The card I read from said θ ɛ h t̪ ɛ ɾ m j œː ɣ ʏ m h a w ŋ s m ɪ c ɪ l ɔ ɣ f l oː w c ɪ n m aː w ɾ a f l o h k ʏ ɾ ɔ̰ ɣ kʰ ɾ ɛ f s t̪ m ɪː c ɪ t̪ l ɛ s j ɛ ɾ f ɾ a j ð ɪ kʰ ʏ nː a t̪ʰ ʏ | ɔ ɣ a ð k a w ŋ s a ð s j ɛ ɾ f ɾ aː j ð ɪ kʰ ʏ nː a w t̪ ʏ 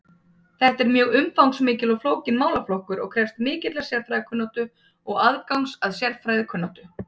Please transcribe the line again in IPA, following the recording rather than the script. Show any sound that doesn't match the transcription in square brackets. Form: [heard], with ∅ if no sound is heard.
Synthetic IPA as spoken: θ ɛ h t̪ ɛ ɾ m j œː ɣ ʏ m [f] a w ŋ s m [ɪː] c ɪ l ɔ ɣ f l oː w c ɪ n m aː w [l] a f l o h k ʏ ɾ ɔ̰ ɣ kʰ ɾ ɛ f s t̪ m ɪː c ɪ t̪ l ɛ s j ɛ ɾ f ɾ a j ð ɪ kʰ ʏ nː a [t̪] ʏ | ɔ ɣ a ð k a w ŋ s a ð s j ɛ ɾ f ɾ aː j ð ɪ kʰ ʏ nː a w t̪ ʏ